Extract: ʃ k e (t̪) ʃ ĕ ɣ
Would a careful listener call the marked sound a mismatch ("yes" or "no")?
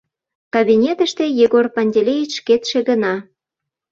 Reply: no